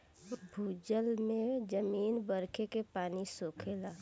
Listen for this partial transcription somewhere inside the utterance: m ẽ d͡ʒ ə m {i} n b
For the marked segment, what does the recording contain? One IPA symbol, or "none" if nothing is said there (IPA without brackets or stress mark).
iː